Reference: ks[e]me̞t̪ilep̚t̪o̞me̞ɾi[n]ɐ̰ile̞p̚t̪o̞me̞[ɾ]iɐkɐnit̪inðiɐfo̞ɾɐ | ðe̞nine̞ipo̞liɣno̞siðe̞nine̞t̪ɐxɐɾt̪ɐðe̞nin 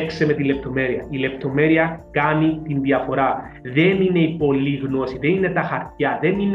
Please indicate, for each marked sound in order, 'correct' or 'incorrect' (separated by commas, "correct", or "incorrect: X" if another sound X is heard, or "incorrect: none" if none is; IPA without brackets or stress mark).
correct, incorrect: none, correct